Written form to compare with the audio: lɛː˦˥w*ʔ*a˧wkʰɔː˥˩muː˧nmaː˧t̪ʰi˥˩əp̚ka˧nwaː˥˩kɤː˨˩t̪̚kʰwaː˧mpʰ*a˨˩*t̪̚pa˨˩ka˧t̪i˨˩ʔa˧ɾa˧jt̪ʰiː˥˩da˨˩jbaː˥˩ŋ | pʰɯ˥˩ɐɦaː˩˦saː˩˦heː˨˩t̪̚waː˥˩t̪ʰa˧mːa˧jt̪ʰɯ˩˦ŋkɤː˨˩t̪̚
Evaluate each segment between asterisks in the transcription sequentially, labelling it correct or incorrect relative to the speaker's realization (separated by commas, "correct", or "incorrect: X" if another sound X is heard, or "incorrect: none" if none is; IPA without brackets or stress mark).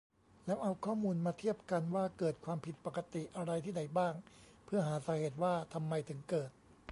correct, incorrect: i˨˩